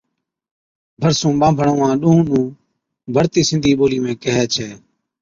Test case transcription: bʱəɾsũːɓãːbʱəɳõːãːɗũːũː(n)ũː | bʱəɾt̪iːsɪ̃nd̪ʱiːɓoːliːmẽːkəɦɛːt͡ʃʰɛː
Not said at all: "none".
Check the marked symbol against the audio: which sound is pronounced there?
n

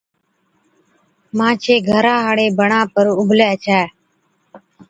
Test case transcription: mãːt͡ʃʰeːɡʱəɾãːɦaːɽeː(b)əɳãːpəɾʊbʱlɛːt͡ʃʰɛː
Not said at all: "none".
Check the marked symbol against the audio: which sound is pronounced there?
b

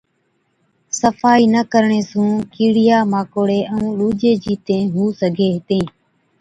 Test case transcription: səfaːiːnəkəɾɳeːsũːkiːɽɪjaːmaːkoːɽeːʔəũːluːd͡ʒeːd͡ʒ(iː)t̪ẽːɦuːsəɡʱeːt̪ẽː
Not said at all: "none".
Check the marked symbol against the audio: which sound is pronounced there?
iː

